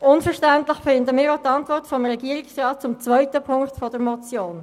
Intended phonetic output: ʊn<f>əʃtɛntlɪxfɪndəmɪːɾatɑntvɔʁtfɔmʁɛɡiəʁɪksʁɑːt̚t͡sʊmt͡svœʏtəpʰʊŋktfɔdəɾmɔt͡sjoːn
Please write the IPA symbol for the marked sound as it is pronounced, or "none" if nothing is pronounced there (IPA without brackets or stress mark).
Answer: f